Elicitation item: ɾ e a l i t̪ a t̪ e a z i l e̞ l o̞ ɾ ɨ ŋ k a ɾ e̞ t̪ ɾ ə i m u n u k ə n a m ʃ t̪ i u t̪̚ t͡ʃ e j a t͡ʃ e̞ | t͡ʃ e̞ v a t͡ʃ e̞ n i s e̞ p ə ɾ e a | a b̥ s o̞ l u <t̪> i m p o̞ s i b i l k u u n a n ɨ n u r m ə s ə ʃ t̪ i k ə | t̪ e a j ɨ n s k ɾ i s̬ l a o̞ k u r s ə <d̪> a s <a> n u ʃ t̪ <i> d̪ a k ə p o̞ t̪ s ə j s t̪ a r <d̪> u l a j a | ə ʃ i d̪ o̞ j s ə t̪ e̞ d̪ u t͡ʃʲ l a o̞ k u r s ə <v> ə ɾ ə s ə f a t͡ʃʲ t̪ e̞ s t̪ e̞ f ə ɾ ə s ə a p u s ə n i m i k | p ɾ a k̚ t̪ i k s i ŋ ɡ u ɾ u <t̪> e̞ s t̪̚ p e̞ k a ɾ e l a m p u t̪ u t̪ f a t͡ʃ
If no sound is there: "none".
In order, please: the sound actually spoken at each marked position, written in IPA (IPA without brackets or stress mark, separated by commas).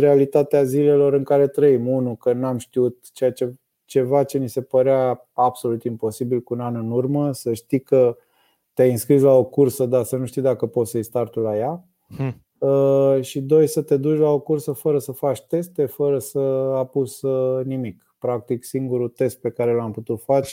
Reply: t̪, d̪, ə, i, t̪, f, t̪